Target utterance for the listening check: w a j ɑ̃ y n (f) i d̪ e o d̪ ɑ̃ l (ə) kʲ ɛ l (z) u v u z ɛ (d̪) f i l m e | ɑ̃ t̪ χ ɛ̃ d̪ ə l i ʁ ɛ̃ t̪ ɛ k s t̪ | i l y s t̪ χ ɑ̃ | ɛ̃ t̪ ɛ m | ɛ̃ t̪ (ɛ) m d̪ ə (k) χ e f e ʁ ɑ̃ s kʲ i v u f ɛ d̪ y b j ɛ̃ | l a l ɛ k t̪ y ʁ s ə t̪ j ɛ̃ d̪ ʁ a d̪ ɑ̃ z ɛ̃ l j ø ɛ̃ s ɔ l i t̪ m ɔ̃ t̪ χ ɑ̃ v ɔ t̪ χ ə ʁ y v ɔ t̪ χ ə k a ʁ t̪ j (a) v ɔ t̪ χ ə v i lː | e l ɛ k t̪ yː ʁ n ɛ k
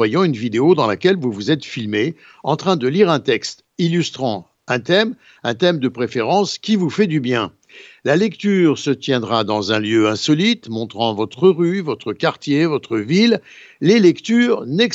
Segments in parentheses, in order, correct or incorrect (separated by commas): incorrect, incorrect, incorrect, incorrect, correct, incorrect, incorrect